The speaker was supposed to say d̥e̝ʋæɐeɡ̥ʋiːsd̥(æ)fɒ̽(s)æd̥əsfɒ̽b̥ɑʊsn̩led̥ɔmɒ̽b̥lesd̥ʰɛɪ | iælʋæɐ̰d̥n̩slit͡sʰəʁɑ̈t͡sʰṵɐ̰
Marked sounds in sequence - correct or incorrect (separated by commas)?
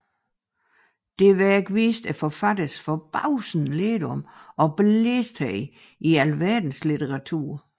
correct, incorrect